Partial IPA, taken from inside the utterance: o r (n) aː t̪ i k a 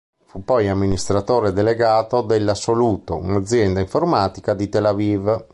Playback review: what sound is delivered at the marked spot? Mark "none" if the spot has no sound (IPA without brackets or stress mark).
m